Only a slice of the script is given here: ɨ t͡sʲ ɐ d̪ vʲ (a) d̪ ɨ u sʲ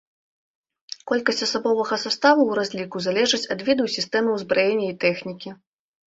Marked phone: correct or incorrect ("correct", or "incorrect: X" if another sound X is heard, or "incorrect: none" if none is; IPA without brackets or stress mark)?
incorrect: i